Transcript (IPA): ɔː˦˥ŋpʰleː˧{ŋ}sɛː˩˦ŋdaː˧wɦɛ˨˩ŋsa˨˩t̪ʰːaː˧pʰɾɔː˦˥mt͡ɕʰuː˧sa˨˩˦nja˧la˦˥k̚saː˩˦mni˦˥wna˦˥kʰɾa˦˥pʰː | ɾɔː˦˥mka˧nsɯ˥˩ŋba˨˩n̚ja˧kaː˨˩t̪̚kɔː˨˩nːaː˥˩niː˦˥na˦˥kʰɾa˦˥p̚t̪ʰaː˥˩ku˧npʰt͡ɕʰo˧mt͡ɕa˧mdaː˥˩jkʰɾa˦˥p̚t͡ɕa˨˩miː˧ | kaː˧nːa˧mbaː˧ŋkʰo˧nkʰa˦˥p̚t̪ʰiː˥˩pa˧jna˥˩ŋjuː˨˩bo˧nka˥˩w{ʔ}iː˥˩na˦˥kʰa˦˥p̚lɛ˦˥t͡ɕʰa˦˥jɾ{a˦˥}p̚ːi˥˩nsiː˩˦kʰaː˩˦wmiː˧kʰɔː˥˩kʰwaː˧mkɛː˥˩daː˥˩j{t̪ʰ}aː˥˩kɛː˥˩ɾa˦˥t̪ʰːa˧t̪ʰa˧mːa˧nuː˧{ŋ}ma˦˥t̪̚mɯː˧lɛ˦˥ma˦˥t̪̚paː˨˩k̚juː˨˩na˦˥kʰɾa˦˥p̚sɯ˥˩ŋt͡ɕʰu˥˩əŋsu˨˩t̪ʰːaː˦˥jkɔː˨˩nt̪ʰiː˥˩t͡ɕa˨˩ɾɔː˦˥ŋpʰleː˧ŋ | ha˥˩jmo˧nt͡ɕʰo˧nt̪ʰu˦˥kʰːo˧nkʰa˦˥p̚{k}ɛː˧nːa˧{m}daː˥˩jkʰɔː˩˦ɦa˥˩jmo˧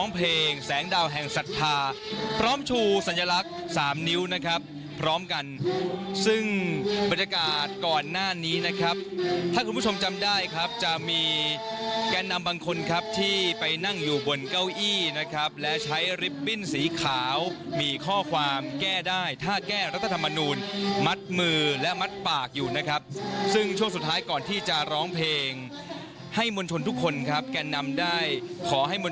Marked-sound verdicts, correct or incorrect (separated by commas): correct, correct, incorrect, correct, incorrect, correct, correct